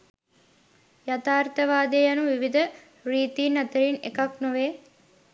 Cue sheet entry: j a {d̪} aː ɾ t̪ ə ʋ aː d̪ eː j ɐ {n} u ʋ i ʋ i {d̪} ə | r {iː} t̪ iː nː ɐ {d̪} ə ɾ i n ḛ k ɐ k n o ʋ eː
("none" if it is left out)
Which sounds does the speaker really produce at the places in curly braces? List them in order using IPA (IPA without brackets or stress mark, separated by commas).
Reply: t̪, n, d̪, iː, t̪